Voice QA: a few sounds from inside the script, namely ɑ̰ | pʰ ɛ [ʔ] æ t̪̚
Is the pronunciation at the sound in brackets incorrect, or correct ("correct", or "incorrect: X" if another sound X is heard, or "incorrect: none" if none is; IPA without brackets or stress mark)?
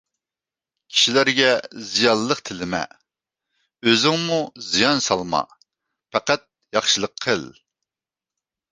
incorrect: q